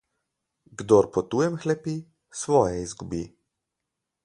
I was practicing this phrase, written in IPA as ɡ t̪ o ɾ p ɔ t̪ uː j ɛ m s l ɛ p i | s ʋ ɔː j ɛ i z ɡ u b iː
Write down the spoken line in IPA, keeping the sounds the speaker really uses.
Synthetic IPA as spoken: ɡ d̪ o ɾ p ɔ t̪ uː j ɛ m x l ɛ p i | s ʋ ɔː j ɛ i z ɡ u b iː